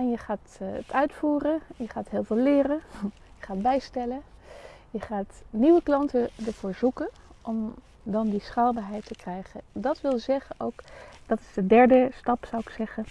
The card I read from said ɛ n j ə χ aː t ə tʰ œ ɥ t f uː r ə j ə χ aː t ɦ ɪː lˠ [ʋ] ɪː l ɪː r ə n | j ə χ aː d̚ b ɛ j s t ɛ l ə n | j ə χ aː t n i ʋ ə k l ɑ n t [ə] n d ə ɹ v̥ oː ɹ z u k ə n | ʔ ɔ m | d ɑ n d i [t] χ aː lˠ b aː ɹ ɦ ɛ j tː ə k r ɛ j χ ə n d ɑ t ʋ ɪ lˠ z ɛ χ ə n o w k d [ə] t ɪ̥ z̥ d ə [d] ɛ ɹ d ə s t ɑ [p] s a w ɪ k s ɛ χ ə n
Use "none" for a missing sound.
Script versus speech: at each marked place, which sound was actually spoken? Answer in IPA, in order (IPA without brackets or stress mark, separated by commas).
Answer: v, ə, s, ɑ, d, p